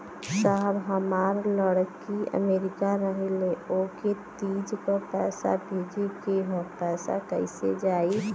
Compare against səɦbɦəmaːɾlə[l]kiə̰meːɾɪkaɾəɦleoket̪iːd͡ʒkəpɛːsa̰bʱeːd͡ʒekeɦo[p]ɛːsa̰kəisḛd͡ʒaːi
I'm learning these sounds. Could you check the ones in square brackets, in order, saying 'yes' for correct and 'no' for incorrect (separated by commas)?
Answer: no, yes